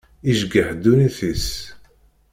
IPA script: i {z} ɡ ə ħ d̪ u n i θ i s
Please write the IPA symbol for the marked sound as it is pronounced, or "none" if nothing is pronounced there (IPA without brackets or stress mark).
ʒ